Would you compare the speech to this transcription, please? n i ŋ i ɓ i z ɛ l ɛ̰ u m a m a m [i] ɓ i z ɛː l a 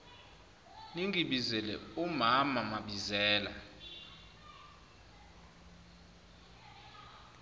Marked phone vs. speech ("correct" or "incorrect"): incorrect